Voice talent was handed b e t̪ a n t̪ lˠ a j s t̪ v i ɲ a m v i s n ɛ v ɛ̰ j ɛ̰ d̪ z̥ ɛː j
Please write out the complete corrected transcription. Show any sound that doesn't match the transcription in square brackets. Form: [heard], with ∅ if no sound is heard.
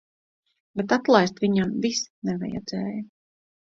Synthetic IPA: b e t̪ a [∅] t̪ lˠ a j s t̪ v i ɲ a m v i s n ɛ v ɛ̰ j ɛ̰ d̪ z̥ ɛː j